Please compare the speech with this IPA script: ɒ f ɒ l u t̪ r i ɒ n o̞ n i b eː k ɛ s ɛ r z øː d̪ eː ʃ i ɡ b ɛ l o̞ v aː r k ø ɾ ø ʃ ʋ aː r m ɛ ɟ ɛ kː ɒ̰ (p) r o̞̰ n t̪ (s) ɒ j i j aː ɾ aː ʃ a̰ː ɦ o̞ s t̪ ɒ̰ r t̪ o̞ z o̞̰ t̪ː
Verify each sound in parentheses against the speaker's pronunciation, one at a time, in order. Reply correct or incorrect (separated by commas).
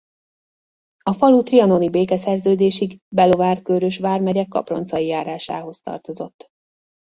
correct, correct